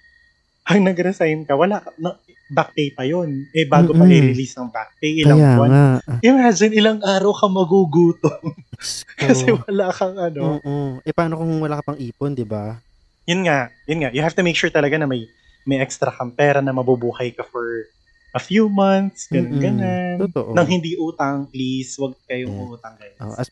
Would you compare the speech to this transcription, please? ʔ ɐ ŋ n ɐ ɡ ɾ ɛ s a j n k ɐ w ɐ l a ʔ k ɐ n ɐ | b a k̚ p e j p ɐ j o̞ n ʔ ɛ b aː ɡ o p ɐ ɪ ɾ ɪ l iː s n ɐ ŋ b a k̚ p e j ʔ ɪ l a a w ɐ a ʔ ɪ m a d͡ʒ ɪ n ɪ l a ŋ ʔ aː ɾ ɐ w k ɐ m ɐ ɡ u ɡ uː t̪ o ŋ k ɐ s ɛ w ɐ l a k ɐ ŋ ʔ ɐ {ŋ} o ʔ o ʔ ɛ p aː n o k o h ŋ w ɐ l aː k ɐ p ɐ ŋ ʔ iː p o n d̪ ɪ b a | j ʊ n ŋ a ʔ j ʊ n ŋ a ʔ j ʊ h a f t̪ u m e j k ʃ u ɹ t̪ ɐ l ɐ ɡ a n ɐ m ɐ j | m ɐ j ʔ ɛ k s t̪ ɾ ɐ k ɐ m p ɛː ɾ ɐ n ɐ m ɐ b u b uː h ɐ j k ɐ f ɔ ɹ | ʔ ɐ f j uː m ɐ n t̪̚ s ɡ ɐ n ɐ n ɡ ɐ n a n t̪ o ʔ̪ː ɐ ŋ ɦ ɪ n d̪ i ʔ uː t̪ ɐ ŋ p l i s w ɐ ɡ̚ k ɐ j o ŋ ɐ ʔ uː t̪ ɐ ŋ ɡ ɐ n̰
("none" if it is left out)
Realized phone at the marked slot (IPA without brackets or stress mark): n